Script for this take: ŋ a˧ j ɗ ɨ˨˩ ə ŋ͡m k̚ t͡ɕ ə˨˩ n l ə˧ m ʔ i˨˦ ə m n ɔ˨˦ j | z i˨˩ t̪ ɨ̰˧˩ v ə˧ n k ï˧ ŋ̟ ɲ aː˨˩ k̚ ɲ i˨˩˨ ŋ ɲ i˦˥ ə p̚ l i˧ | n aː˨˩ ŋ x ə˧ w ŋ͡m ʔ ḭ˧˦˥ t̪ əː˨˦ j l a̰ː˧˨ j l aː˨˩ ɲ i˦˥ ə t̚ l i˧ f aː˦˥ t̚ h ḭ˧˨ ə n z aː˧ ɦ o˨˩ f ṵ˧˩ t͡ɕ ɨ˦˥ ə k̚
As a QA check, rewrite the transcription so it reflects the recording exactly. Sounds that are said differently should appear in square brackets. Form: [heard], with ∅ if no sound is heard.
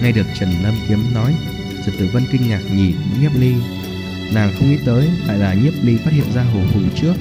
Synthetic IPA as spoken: ŋ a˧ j ɗ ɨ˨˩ ə [∅] k̚ t͡ɕ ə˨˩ n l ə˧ m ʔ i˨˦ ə m n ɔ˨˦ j | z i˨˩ t̪ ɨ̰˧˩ v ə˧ n k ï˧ ŋ̟ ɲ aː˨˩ k̚ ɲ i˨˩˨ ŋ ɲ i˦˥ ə p̚ l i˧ | n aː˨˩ ŋ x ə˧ w ŋ͡m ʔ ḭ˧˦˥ t̪ əː˨˦ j l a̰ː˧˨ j l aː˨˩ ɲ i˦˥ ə [p̚] l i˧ f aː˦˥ t̚ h ḭ˧˨ ə n z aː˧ ɦ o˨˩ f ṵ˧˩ t͡ɕ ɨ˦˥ ə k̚